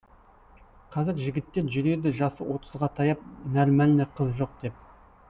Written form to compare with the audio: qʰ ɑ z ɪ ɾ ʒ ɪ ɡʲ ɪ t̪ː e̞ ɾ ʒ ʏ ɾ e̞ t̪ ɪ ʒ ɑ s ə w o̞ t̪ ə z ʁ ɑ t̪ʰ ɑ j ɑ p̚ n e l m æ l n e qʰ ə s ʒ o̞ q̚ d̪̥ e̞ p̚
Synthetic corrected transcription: qʰ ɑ z ɪ ɾ ʒ ɪ ɡʲ ɪ t̪ː e̞ ɾ ʒ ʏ ɾ e̞ d̪ ɪ ʒ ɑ s ə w o̞ t̪ ə z ʁ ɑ t̪ʰ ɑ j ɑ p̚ n æ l m æ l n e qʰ ə z ʒ o̞ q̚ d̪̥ e̞ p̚